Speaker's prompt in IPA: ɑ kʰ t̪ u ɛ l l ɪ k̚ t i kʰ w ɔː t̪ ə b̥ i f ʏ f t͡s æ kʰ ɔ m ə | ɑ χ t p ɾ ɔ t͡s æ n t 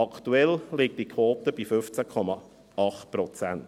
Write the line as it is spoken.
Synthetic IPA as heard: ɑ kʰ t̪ u ɛ l l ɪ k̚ t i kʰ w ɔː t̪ ə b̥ i f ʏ f t͡s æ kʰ ɔ m ɑ | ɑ χ t p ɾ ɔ t͡s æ n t